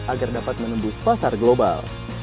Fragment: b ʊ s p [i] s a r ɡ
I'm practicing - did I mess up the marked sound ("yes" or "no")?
yes